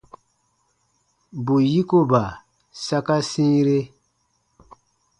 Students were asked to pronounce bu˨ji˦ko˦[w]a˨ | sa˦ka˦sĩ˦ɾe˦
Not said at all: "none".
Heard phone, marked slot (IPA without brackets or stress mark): b